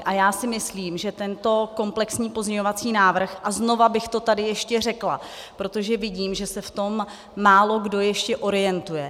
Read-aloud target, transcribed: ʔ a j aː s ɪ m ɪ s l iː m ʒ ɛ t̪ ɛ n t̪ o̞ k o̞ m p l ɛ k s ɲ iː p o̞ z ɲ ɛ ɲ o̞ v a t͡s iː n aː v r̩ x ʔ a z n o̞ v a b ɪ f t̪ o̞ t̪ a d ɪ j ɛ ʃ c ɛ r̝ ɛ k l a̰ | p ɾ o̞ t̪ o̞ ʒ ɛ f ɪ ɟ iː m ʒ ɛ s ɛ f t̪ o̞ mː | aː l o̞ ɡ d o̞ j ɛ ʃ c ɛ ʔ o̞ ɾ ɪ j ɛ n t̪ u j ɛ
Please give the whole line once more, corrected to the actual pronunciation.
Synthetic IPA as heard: ʔ a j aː s ɪ m ɪ s l iː m ʒ ɛ t̪ ɛ n t̪ o̞ k o̞ m p l ɛ k s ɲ iː p o̞ z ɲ ɛ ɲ o̞ v a t͡s iː n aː v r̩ x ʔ a z n o̞ v a b ɪ x t̪ o̞ t̪ a d ɪ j ɛ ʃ c ɛ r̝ ɛ k l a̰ | p ɾ o̞ t̪ o̞ ʒ ɛ v ɪ ɟ iː m ʒ ɛ s ɛ f t̪ o̞ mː | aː l o̞ ɡ d o̞ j ɛ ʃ c ɛ ʔ o̞ ɾ ɪ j ɛ n t̪ u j ɛ